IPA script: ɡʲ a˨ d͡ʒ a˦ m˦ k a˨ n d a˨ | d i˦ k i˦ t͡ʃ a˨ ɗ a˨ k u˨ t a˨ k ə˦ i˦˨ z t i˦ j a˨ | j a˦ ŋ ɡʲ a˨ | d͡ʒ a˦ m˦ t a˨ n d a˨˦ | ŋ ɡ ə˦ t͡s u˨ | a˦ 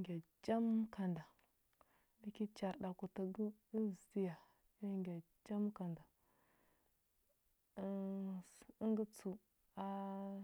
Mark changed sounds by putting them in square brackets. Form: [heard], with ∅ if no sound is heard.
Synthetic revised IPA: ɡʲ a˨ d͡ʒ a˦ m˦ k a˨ n d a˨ | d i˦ k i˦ t͡ʃ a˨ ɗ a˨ k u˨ t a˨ [ɡ] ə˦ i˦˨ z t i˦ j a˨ | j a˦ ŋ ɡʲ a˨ | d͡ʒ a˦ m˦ [k] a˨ n d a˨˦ | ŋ ɡ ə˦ t͡s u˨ | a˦